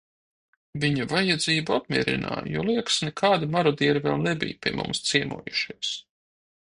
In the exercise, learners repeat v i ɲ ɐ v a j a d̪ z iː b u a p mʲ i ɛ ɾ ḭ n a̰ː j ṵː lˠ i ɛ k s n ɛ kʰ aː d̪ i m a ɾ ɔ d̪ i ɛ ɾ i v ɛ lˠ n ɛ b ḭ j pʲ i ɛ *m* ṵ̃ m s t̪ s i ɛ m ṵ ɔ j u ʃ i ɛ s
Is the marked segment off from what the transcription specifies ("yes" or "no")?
no